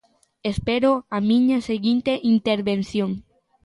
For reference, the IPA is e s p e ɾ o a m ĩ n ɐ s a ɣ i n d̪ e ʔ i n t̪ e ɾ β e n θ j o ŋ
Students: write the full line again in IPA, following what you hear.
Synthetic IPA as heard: e s p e ɾ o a m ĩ ɲ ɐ s e ɣ i n t̪ e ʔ i n t̪ e ɾ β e n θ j o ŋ

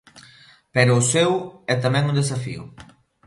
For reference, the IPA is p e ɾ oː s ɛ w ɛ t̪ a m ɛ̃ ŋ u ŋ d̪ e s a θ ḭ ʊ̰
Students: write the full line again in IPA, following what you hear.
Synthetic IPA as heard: p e ɾ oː s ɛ w ɛ t̪ a m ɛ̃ ŋ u n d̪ e s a f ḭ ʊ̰

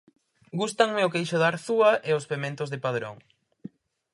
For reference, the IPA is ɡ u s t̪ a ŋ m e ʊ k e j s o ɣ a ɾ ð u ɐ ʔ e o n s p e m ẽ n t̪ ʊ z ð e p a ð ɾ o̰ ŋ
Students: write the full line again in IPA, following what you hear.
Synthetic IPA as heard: ɡ u s t̪ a ŋ m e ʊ k e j ʃ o ð a ɾ θ u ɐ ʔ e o s p e m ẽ n t̪ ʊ z ð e p a ð ɾ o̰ ŋ

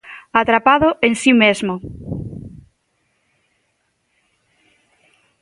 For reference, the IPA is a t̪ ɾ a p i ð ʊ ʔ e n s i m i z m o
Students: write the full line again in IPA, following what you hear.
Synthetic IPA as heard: a t̪ ɾ a p a ð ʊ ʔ e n s i m e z m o

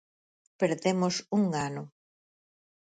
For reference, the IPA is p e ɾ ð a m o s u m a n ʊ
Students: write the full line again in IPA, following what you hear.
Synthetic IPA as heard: p e ɾ ð e m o s u ŋ a n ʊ

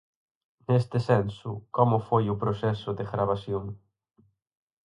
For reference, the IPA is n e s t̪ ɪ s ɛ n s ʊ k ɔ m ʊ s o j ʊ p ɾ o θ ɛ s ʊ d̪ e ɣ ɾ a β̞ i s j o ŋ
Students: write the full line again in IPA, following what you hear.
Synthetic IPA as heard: n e s t̪ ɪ s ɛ n s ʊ k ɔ m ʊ f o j ʊ p ɾ o s ɛ s ʊ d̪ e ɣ ɾ a β̞ a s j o ŋ

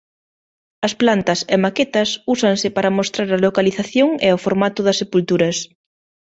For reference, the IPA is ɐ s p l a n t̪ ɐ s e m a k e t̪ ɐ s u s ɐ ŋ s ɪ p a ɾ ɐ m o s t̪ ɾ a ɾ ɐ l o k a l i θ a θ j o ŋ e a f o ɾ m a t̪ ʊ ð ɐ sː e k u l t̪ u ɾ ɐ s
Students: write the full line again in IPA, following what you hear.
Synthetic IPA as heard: ɐ s p l a n t̪ ɐ s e m a k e t̪ ɐ s u s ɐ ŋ s ɪ p a ɾ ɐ m o s t̪ ɾ a ɾ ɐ l o k a l i θ a θ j o ŋ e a f o ɾ m a t̪ ʊ ð ɐ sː e p u l t̪ u ɾ ɐ s

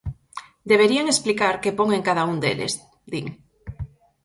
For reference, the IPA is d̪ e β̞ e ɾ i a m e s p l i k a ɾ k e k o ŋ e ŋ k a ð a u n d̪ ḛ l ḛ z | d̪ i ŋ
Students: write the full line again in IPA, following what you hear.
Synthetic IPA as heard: d̪ e β̞ e ɾ i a ŋ e s p l i k a ɾ k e p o ŋ e ŋ k a ð a u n d̪ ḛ l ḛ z | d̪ i ŋ

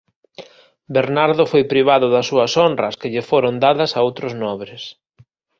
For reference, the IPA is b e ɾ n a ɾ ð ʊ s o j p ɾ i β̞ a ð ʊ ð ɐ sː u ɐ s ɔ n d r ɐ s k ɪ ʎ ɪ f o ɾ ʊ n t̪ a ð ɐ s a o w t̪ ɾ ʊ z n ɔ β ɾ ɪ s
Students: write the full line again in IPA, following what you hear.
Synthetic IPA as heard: b e ɾ n a ɾ ð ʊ f o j p ɾ i β̞ a ð ʊ ð ɐ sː u ɐ s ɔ n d r ɐ s k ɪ ʎ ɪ f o ɾ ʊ n d̪ a ð ɐ s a o w t̪ ɾ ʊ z n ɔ β ɾ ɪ s

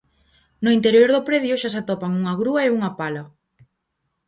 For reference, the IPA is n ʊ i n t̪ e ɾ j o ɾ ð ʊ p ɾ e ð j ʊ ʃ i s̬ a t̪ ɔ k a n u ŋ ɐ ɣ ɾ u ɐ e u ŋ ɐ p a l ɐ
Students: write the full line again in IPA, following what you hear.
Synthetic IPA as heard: n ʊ i n t̪ e ɾ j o ɾ ð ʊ p ɾ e ð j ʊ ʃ a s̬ a t̪ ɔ p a ŋ u ŋ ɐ ɣ ɾ u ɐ e u ŋ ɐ p a l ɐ

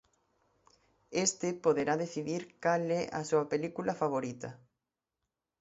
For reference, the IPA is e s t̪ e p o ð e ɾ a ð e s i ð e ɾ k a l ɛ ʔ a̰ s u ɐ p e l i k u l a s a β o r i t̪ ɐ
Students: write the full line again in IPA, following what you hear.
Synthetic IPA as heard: e s t̪ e p o ð e ɾ a ð e θ i ð i ɾ k a l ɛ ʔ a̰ s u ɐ p e l i k u l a f a β o ɾ i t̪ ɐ

